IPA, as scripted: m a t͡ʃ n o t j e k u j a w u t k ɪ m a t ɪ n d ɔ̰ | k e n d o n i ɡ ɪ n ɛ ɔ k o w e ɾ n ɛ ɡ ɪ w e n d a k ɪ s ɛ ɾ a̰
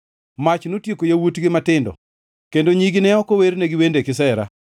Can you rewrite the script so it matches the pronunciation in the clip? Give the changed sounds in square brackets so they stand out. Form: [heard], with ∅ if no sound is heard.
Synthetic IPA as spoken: m a t͡ʃ n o t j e k [o] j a w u t [ɡ] ɪ m a t ɪ n d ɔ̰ | k e n d o [ɲ] i ɡ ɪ n ɛ ɔ k o w e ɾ n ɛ ɡ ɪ w e n d [e] k ɪ s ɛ ɾ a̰